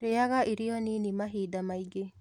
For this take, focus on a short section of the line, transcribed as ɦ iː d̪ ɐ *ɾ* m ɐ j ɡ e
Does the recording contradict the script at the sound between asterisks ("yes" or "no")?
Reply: yes